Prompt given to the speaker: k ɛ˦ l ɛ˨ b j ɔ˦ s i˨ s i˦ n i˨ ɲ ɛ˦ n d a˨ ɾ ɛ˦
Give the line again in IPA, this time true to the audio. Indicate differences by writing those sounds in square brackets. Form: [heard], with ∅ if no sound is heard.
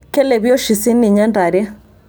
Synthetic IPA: k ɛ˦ l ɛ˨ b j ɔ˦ [ʃ] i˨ s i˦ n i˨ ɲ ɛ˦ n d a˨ ɾ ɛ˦